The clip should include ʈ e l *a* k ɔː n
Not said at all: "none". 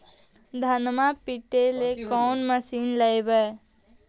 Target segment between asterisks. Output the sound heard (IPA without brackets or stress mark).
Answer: e